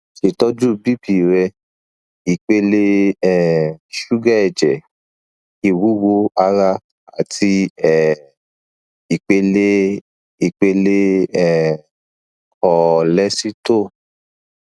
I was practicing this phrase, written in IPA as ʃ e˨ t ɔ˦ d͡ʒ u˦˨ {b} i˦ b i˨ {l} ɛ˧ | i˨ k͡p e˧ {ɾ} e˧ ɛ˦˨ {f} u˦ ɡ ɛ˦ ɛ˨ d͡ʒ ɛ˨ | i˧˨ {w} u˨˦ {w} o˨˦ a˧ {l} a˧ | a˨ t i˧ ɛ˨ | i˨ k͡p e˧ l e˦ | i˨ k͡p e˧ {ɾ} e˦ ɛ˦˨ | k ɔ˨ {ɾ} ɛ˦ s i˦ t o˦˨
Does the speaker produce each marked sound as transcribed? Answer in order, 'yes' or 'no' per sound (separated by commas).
yes, no, no, no, yes, yes, no, no, no